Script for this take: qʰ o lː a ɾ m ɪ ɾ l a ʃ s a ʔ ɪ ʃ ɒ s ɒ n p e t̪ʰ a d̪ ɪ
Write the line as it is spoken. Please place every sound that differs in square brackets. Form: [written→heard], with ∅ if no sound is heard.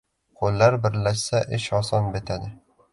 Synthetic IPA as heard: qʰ o lː a ɾ [m→b] ɪ ɾ l a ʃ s a ʔ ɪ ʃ ɒ s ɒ n [p→b] e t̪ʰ a d̪ ɪ